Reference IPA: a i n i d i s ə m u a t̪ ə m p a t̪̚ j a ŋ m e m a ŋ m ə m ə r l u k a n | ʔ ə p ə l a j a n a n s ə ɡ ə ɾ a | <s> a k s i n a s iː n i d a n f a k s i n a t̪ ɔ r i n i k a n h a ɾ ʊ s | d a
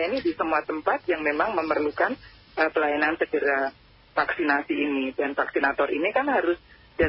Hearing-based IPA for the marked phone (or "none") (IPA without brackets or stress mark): f